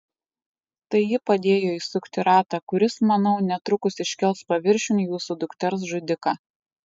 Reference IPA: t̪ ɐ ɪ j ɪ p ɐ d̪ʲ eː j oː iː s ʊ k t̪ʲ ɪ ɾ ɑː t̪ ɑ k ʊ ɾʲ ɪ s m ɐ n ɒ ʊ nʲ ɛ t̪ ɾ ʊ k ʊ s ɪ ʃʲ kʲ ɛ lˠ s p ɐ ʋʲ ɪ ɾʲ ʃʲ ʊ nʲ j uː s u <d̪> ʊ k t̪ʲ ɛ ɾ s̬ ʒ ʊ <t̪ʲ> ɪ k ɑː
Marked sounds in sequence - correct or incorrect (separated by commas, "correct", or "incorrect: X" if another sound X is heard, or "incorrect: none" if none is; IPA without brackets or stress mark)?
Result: correct, incorrect: d̪ʲ